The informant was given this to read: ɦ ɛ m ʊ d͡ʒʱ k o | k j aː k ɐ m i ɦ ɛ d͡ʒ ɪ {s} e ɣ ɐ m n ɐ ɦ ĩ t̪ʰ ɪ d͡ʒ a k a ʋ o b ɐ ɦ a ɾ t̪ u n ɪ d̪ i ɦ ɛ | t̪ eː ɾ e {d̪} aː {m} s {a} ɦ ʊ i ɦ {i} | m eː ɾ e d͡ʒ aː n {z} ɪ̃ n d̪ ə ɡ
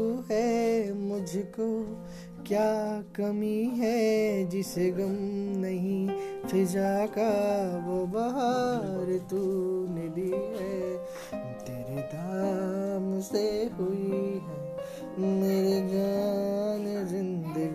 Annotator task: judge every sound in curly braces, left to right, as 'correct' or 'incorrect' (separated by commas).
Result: correct, correct, correct, incorrect, incorrect, correct